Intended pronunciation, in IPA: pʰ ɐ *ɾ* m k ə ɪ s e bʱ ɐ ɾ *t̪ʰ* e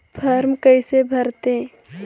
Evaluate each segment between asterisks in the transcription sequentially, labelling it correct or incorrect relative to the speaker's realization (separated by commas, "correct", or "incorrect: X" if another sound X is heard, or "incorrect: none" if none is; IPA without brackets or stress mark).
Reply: correct, incorrect: t̪